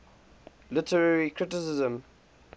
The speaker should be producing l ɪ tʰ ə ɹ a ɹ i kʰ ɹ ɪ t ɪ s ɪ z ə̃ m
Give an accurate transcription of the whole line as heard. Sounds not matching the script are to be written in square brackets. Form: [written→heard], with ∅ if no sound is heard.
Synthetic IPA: l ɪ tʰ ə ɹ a ɹ i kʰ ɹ ɪ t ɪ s ɪ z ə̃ m